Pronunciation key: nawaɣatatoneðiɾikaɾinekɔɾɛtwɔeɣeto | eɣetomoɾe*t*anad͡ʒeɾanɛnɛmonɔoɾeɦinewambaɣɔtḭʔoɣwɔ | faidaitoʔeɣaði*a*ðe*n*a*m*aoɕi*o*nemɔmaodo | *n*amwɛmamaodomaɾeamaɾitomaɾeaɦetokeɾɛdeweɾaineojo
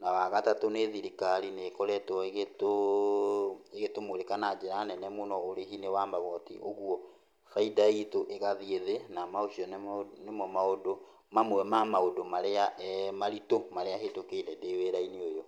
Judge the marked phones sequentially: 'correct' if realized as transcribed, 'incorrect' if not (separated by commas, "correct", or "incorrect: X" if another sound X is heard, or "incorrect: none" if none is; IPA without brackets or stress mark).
incorrect: k, incorrect: e, correct, correct, incorrect: ɔ, incorrect: m